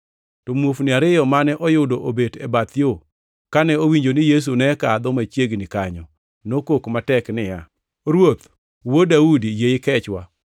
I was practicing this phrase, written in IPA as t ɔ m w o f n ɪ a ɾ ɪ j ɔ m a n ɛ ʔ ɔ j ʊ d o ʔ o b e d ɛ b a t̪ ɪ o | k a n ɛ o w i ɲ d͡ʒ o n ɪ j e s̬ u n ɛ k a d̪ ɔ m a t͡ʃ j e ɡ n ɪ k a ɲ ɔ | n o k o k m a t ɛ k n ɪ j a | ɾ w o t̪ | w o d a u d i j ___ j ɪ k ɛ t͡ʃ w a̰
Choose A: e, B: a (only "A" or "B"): A